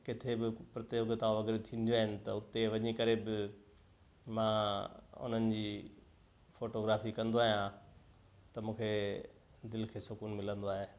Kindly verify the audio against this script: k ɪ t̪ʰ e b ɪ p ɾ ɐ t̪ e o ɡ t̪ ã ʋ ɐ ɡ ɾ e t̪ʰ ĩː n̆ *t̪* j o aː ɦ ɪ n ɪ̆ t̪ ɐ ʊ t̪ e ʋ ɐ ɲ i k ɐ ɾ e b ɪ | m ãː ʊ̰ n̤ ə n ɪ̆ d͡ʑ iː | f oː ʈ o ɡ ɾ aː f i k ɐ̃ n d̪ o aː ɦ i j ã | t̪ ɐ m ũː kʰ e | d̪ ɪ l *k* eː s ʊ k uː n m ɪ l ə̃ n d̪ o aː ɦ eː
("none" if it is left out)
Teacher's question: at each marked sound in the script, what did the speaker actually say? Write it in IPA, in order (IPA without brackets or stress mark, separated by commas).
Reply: d̪, kʰ